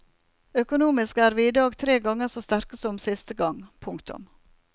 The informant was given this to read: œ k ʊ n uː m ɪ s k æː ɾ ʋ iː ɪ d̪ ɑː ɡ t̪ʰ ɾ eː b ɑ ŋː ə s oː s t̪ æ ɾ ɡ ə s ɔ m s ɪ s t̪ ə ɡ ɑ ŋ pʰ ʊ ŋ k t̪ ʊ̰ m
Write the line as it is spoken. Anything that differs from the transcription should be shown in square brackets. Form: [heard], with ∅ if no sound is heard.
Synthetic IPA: œ k ʊ n uː m ɪ s k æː ɾ ʋ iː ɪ d̪ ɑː ɡ t̪ʰ ɾ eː [ɡ] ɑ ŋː ə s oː s t̪ æ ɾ [k] ə s ɔ m s ɪ s t̪ ə ɡ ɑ ŋ pʰ ʊ ŋ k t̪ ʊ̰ m